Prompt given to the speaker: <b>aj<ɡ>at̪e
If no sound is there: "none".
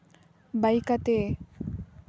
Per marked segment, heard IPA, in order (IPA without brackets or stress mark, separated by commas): b, k